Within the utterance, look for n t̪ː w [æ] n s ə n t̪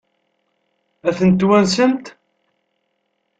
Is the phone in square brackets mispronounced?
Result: no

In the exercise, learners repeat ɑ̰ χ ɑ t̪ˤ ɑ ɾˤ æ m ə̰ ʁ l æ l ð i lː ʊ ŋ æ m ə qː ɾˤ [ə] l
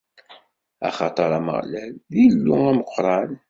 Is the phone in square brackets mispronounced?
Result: yes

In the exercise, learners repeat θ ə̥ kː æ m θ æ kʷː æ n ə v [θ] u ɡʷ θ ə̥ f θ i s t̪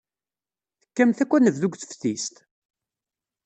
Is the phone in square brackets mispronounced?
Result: yes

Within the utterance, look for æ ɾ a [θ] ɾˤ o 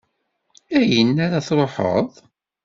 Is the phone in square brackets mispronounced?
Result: no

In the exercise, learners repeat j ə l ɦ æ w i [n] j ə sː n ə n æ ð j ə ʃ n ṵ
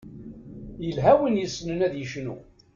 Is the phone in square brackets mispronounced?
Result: no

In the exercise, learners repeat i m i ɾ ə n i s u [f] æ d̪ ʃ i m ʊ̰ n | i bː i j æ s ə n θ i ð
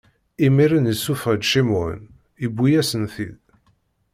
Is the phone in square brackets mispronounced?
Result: no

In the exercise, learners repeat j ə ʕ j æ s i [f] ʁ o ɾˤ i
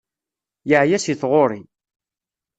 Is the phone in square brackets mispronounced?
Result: yes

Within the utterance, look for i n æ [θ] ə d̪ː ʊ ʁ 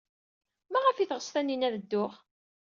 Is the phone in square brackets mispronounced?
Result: yes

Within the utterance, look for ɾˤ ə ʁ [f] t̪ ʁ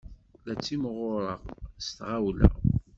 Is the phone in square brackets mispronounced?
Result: yes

